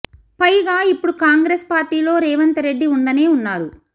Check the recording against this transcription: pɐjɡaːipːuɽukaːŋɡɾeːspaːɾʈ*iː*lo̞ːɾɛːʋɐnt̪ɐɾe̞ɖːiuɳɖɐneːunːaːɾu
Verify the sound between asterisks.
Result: correct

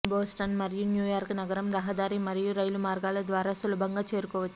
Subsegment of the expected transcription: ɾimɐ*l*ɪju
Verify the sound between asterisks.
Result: incorrect: ɾ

